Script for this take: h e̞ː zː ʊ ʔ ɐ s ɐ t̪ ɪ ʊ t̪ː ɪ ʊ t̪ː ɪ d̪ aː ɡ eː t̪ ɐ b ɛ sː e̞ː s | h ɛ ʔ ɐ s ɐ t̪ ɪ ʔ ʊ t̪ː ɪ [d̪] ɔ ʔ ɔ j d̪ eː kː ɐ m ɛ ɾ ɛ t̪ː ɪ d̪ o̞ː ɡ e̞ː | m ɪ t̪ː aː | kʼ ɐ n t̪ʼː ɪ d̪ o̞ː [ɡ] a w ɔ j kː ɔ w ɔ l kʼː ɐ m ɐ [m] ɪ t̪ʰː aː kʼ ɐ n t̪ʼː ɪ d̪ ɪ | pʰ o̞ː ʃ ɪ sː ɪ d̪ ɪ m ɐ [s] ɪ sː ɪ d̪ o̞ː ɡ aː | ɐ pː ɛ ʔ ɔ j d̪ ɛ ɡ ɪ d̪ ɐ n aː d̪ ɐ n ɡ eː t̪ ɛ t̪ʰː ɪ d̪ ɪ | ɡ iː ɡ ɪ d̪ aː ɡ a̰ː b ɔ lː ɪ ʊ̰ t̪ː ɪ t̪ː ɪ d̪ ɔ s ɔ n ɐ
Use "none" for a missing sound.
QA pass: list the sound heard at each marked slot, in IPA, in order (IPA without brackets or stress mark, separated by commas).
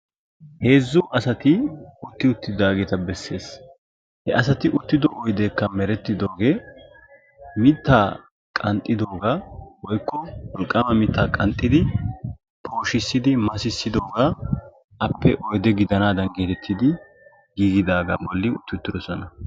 d̪, ɡ, m, s